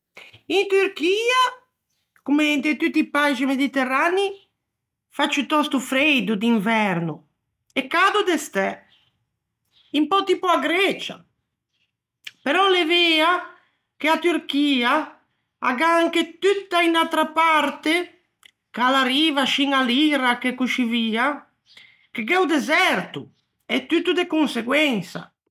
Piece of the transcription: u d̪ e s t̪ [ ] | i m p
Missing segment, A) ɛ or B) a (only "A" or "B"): A